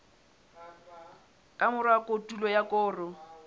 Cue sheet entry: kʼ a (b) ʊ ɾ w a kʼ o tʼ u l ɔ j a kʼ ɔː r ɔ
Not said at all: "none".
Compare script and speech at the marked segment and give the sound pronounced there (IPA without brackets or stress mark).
m